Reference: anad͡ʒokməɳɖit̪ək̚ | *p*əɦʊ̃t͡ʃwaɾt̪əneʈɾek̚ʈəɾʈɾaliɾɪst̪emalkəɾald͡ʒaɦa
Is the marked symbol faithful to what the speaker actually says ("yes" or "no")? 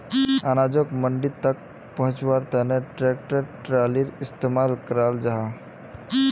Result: yes